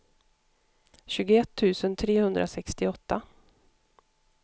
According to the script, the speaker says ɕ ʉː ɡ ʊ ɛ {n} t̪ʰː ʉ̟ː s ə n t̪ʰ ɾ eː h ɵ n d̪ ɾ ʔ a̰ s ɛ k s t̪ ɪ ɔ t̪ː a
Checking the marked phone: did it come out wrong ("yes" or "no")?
yes